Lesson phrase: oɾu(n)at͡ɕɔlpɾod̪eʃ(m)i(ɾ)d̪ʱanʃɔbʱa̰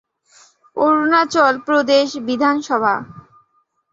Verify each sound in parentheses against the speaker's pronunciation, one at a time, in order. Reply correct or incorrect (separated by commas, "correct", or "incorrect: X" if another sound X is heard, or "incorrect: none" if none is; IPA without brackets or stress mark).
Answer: correct, incorrect: b, incorrect: none